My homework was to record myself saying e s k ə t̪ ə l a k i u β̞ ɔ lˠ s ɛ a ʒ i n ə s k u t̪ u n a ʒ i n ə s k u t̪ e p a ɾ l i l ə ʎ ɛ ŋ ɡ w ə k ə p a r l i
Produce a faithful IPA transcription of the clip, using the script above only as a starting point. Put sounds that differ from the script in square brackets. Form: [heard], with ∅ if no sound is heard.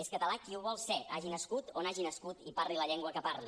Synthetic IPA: e s k ə t̪ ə l a k i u β̞ ɔ lˠ s ɛ a ʒ i n ə s k u t̪ [o] n a ʒ i n ə s k u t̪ [i] p a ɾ l i l ə ʎ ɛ ŋ ɡ w ə k ə p a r l i